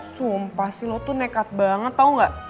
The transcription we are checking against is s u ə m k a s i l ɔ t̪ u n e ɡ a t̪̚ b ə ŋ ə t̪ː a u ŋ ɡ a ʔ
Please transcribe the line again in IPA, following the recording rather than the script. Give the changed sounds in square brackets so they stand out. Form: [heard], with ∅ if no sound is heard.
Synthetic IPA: s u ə m [p] a s i l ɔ t̪ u n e [k] a t̪̚ b [a] ŋ ə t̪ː a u ŋ ɡ a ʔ

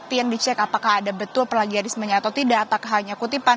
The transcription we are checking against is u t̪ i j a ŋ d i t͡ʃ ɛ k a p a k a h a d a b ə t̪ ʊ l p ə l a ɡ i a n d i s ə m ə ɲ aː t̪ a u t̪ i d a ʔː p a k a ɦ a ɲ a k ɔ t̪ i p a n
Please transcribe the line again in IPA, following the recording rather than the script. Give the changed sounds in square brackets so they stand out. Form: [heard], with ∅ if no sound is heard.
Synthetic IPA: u t̪ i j a ŋ d i t͡ʃ ɛ k a p a k a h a d a b ə t̪ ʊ l p ə l a ɡ i a n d i s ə m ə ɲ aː t̪ a [w] t̪ i d a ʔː p a k a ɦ a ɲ a k [u] t̪ i p a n

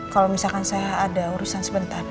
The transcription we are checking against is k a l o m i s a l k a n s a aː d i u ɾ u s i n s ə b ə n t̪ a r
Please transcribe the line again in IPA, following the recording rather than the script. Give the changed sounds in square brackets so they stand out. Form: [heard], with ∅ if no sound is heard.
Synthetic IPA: k a l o m i s a l k a n s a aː d [a] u ɾ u s [a] n s ə b ə n t̪ a r

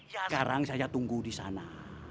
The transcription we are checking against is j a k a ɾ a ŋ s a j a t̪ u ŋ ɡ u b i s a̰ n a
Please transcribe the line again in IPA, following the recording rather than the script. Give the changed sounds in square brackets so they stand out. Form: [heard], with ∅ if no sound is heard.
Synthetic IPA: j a k a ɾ a ŋ s a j a t̪ u ŋ ɡ u [d] i s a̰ n a

